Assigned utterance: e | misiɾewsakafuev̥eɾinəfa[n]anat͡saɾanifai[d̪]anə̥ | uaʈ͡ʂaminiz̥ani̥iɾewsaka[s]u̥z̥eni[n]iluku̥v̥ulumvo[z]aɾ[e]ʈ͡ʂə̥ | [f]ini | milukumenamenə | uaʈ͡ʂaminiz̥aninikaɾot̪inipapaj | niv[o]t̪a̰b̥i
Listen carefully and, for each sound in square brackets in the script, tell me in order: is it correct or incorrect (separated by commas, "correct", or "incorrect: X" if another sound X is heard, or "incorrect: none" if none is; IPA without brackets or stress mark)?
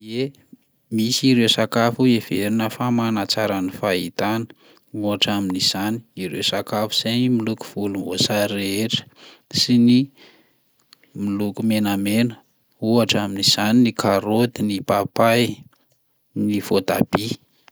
incorrect: m, incorrect: t̪, incorrect: f, incorrect: m, incorrect: s, correct, incorrect: s, correct